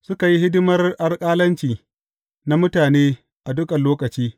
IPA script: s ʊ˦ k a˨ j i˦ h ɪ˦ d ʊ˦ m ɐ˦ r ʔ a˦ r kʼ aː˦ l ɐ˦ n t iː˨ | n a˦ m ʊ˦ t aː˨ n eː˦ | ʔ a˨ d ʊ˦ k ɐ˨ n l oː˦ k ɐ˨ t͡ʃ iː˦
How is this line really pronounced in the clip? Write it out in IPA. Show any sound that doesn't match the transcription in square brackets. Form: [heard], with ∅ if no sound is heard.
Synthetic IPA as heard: s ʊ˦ k a˨ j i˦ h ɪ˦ d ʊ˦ m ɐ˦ r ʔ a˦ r kʼ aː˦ l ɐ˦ n [t͡ʃ] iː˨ | n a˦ m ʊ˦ t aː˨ n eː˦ | ʔ a˨ d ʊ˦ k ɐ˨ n l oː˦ k ɐ˨ t͡ʃ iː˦